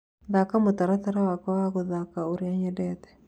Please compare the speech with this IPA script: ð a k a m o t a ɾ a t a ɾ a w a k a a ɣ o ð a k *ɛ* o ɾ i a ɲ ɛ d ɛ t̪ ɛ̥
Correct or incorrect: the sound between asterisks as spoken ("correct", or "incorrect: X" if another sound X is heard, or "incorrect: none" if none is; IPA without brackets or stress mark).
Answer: incorrect: a